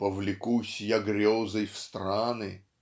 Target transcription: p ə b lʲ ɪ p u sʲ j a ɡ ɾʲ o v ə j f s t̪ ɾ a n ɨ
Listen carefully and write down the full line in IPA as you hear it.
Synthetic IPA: p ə v lʲ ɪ k u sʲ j a ɡ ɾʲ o z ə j f s t̪ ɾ a n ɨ